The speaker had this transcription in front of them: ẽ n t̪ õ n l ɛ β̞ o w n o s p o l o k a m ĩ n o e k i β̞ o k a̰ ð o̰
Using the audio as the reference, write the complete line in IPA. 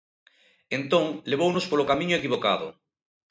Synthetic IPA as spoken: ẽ n t̪ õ ŋ l e β̞ o w n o s p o l o k a m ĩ ɲ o e k i β̞ o k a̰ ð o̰